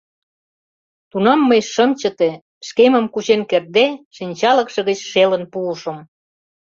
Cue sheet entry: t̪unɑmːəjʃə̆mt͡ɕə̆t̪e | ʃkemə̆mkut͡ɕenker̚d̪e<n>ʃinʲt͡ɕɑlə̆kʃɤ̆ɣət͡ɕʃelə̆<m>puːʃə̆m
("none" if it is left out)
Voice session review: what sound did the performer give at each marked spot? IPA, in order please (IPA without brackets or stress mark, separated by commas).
none, n